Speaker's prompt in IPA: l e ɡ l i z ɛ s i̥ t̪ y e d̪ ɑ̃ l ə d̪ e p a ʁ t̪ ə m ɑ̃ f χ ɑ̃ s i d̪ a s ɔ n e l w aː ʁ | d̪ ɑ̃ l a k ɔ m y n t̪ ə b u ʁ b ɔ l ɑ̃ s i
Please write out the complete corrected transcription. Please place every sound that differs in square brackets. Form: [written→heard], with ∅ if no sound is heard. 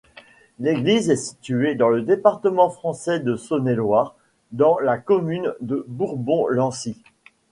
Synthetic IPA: l e ɡ l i z ɛ s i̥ t̪ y e d̪ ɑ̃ l ə d̪ e p a ʁ t̪ ə m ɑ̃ f χ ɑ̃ s [i→ɛ] d̪ [a→ə] s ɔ n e l w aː ʁ | d̪ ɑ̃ l a k ɔ m y n [t̪→d̪] ə b u ʁ b [ɔ→ɔ̃] l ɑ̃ s i